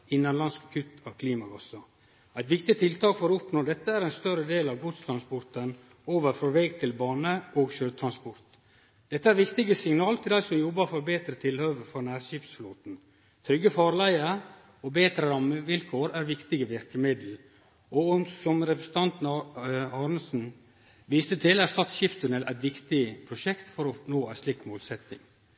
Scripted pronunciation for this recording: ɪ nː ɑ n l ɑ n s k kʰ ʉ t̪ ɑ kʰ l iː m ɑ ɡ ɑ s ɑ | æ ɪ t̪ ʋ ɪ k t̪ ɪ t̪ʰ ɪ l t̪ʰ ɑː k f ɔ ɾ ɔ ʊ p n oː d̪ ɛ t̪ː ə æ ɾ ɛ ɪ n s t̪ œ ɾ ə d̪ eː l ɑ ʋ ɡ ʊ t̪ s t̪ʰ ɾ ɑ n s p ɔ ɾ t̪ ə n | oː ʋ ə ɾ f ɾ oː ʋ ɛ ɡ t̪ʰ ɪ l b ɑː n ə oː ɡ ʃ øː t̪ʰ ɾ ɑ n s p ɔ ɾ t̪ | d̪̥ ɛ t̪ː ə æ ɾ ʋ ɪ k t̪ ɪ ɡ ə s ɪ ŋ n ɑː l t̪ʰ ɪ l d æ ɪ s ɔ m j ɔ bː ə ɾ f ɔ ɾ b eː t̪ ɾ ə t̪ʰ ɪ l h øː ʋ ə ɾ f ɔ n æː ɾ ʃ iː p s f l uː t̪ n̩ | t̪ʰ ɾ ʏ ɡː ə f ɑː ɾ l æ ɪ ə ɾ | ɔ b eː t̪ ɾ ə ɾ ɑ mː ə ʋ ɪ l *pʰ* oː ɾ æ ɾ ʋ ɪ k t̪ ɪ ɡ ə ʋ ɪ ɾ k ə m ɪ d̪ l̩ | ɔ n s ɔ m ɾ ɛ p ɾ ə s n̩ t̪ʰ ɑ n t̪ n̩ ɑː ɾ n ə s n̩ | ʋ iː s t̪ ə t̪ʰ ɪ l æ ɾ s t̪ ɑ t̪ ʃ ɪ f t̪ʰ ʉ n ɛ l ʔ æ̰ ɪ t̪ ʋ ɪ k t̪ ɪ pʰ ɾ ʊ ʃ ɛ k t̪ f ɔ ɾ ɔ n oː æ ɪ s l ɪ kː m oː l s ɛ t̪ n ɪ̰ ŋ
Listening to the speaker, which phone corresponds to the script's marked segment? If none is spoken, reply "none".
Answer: kʰ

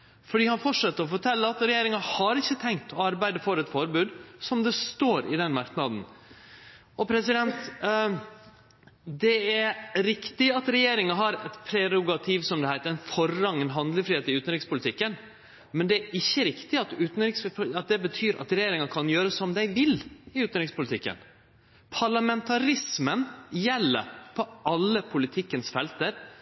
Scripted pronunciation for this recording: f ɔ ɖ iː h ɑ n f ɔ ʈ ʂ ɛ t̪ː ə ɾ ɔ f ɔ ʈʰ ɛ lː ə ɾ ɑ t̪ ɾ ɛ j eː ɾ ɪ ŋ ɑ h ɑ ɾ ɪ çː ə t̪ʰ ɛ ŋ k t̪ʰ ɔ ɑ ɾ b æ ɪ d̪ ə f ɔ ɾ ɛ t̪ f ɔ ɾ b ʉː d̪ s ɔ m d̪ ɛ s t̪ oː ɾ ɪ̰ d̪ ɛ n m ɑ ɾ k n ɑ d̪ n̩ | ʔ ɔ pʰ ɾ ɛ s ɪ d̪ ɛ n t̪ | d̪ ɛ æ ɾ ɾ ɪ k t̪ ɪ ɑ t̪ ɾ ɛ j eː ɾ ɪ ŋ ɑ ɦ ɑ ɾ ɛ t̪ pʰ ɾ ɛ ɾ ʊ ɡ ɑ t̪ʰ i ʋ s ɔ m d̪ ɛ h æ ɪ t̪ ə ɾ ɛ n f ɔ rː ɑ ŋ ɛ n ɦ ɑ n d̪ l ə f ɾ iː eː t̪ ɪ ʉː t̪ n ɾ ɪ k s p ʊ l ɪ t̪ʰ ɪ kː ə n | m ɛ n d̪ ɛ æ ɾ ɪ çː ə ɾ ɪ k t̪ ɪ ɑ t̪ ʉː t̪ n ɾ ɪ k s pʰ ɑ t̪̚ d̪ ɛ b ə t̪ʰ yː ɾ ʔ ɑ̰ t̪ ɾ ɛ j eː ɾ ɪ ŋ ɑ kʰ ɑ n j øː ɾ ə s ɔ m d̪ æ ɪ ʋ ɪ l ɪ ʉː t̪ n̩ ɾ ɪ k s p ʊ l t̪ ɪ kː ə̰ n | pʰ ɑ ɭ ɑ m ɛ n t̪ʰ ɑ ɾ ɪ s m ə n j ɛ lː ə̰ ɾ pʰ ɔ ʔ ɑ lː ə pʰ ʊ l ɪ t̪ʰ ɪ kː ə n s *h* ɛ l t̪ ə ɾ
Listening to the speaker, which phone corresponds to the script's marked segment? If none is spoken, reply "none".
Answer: f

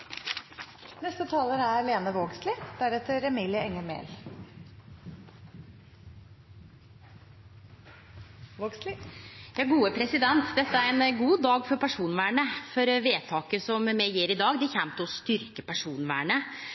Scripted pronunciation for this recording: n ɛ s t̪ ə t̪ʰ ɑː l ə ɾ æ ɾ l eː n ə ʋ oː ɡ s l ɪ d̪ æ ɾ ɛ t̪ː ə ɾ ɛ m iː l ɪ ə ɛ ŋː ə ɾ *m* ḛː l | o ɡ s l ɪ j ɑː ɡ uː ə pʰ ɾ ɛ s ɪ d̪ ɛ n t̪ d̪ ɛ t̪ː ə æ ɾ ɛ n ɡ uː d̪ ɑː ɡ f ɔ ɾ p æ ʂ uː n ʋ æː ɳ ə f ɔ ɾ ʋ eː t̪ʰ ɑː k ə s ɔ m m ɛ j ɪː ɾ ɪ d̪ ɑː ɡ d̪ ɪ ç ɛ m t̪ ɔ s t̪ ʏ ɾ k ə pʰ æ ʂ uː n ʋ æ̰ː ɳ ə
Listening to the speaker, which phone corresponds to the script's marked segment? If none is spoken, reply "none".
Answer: m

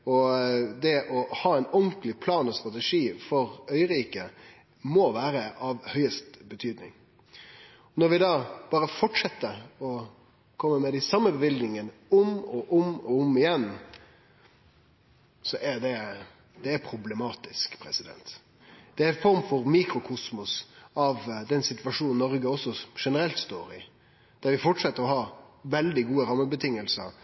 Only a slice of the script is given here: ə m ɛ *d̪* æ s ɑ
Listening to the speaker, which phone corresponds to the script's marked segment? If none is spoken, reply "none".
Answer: d̪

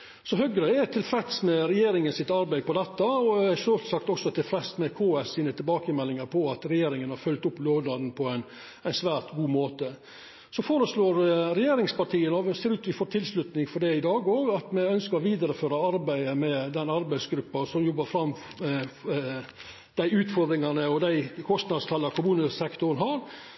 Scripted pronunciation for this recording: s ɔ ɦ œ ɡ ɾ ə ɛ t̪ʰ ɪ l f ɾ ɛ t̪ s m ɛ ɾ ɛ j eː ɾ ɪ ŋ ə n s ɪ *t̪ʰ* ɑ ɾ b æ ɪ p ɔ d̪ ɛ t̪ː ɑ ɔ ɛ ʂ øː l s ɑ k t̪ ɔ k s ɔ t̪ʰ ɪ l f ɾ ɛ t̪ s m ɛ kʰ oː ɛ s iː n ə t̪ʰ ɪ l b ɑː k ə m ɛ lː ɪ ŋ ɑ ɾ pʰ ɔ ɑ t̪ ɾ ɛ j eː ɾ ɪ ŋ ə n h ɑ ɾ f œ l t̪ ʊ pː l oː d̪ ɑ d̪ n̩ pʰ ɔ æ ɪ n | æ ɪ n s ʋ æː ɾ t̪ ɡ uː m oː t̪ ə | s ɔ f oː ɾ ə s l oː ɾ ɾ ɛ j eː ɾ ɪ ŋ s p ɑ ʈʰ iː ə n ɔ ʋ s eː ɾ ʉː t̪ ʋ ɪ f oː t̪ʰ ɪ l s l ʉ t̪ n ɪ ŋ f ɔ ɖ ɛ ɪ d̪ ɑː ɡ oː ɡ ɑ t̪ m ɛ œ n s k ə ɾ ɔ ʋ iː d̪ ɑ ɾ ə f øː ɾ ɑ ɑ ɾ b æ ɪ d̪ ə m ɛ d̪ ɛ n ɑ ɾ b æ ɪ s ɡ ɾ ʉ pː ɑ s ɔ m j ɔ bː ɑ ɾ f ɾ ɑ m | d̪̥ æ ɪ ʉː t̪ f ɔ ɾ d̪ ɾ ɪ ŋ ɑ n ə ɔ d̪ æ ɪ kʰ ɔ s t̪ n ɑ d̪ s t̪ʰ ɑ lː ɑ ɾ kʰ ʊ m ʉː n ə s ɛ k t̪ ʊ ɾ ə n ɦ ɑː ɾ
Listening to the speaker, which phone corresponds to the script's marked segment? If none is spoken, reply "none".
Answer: t̪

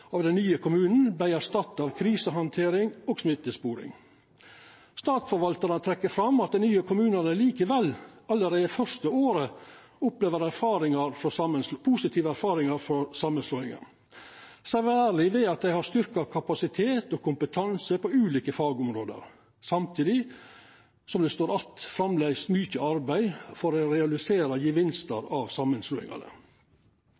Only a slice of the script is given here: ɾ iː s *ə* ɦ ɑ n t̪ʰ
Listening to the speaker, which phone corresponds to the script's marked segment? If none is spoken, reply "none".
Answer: ə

